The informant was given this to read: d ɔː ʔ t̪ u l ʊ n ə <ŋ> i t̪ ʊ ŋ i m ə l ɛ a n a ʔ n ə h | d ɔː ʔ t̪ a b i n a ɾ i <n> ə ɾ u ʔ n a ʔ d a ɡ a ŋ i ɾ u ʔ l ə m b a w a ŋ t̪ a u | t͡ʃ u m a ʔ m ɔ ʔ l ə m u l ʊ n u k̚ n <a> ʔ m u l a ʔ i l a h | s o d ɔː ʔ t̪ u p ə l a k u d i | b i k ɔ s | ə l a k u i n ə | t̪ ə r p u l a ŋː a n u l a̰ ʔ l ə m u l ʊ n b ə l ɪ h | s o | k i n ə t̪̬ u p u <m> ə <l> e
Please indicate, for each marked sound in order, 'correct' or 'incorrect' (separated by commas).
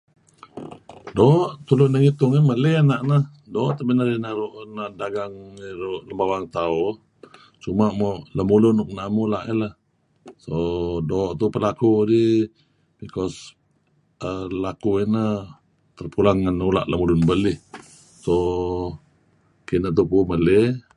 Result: correct, correct, correct, correct, correct